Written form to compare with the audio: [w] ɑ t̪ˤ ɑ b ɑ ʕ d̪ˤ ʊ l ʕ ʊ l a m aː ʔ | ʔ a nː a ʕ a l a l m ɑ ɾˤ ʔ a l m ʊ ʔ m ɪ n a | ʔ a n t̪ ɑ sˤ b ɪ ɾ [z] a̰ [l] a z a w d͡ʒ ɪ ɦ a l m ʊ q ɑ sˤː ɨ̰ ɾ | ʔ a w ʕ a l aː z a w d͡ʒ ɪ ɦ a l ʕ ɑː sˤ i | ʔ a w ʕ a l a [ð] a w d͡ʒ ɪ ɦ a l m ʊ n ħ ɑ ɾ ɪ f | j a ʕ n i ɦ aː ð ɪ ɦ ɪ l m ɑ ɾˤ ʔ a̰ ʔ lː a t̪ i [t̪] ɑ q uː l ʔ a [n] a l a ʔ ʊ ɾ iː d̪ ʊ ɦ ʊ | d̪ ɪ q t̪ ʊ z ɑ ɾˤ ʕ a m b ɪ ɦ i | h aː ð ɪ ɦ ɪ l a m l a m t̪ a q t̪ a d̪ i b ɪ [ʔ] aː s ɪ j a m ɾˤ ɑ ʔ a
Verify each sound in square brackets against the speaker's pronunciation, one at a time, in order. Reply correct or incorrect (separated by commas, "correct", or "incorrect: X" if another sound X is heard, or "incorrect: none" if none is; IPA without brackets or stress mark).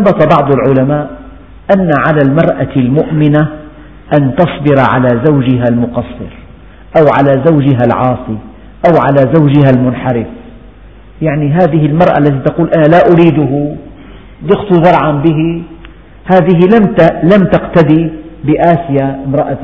incorrect: b, incorrect: ʕ, correct, incorrect: z, correct, correct, correct